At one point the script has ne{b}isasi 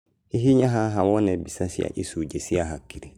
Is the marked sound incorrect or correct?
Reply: correct